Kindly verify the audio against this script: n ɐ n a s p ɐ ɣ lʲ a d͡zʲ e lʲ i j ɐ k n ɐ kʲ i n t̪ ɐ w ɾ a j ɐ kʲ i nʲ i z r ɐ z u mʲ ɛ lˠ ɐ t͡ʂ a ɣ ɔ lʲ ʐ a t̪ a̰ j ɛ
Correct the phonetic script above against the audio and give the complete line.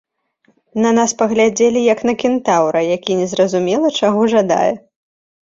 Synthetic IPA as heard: n ɐ n a s p ɐ ɣ lʲ a d͡zʲ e lʲ i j ɐ k n ɐ kʲ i n t̪ a w ɾ ɐ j a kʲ i nʲ ɛ z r ɐ z u mʲ ɛ lˠ ɐ t͡ʂ a ɣ ɔ ʐ a d̪ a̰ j ɛ